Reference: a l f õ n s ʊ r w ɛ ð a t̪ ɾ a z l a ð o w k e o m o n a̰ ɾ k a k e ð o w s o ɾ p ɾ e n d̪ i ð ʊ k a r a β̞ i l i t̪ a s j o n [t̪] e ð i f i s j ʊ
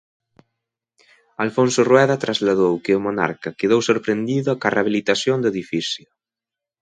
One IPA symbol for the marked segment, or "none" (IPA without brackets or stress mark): d̪